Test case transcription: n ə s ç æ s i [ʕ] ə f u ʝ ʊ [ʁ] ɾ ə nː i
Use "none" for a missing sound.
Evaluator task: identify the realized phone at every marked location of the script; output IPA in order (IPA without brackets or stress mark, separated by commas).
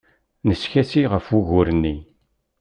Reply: ʁ, none